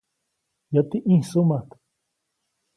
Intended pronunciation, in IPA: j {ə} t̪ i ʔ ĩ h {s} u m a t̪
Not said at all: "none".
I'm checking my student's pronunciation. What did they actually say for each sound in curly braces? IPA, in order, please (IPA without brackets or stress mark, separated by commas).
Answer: a, s